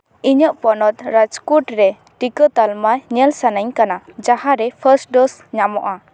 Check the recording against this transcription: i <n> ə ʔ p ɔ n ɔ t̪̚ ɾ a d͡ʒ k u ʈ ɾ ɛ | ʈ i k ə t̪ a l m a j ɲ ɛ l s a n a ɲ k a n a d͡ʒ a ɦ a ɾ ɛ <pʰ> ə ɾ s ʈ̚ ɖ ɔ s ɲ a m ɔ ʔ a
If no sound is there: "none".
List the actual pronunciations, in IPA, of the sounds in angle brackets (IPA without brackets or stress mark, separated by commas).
ɲ, pʰ